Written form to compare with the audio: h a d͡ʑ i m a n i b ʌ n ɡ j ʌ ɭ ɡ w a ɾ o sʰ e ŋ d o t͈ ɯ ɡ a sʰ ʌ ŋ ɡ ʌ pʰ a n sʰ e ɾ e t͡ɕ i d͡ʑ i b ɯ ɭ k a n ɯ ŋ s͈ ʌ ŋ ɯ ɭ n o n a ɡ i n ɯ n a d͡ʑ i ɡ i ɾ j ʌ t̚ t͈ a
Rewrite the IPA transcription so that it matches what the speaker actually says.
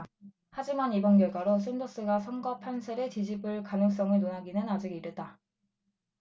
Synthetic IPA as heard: h a d͡ʑ i m a n i b ʌ n ɡ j ʌ ɭ ɡ w a ɾ o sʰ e n d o s͈ ɯ ɡ a sʰ ʌ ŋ ɡ ʌ pʰ a n sʰ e ɾ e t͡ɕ i d͡ʑ i b ɯ ɭ k a n ɯ ŋ s͈ ʌ ŋ ɯ ɭ n o n a ɡ i n ɯ n a d͡ʑ i ɡ i ɾ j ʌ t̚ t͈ a